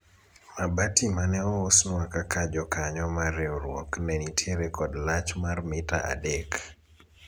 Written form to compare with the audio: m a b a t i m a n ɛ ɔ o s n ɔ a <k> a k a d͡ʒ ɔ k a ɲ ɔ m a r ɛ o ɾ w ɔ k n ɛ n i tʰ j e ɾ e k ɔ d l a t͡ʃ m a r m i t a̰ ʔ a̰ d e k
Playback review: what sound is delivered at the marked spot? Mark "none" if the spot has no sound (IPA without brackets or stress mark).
k